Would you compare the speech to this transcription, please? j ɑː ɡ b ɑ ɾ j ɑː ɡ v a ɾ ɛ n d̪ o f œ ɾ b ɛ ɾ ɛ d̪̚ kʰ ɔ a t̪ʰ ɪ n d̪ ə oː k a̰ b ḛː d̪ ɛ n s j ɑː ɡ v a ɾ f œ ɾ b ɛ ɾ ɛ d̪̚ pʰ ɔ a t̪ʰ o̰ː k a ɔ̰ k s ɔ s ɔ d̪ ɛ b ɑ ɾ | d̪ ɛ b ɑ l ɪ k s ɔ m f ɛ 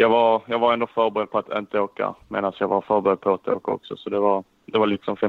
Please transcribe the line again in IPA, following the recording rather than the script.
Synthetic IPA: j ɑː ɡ v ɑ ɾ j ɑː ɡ v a ɾ ɛ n d̪ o f œ ɾ b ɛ ɾ ɛ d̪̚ pʰ ɔ a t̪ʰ ɪ n t̪ ə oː k a̰ m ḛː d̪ a n s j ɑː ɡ v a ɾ f œ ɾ b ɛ ɾ ɛ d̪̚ pʰ ɔ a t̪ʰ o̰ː k a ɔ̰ k s ɔ s ɔ d̪ ɛ v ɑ ɾ | d̪ ɛ v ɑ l ɪ k s ɔ m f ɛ